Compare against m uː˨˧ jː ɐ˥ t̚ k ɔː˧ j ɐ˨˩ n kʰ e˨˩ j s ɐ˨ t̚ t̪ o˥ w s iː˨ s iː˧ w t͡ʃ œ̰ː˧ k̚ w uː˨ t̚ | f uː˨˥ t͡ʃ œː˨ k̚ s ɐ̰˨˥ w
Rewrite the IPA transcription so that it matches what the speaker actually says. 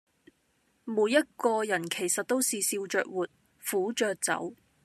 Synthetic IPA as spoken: m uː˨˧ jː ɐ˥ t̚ k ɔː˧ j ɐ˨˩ n kʰ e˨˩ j s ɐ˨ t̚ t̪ o˥ w s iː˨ s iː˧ w t͡ʃ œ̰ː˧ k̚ w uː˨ t̚ | f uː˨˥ t͡ʃ œː˨ k̚ t͡s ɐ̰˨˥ w